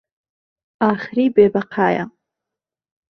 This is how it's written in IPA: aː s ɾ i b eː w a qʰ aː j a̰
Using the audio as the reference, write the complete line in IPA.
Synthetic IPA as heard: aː χ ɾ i b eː b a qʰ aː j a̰